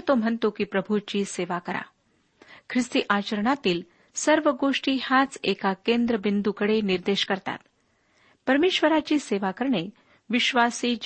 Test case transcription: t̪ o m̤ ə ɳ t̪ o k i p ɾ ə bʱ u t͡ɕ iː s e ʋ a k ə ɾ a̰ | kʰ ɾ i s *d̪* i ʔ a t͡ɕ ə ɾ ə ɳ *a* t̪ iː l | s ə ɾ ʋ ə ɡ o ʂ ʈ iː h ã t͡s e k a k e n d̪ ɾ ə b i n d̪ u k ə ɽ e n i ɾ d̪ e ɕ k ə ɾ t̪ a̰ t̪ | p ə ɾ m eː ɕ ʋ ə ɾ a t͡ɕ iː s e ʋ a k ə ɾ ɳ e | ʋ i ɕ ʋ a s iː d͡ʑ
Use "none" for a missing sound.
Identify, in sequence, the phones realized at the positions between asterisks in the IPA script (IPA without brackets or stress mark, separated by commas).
t̪, a